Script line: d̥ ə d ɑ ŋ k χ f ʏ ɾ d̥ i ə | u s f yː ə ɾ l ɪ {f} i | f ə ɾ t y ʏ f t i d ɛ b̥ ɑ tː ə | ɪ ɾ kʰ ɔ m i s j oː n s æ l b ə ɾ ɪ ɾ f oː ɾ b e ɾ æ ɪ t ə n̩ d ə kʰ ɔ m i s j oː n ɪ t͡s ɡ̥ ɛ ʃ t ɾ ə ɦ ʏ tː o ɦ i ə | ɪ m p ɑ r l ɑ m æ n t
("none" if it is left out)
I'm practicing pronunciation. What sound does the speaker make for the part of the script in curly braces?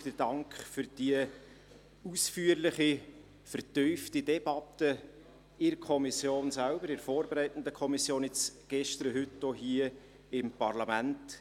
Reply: χ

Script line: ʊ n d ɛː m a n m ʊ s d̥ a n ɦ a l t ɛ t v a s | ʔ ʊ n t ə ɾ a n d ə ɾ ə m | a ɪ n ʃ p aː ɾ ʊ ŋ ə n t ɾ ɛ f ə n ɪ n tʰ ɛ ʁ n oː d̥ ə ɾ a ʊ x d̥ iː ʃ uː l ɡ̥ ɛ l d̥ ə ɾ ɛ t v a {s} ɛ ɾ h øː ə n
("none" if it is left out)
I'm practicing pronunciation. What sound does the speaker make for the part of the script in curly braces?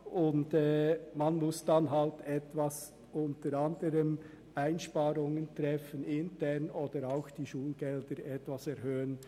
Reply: s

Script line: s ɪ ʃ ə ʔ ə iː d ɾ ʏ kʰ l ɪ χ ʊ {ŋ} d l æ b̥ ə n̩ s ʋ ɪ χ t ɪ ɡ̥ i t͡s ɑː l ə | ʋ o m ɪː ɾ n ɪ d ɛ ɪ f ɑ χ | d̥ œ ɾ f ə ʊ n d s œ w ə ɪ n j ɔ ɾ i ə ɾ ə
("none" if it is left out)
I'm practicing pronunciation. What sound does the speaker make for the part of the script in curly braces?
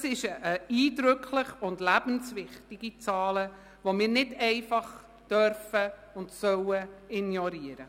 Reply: n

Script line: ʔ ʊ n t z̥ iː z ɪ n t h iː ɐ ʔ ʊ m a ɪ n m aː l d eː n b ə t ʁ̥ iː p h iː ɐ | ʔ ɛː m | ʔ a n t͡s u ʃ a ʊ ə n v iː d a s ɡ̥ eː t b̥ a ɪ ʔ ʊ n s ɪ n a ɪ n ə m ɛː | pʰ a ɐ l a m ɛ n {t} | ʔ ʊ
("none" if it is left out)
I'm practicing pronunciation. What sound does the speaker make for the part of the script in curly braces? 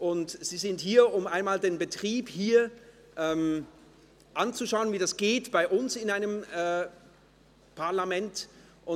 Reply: t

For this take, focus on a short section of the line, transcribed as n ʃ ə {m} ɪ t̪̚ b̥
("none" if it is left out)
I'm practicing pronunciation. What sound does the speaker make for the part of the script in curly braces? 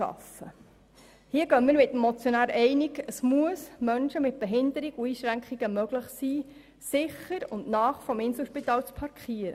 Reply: m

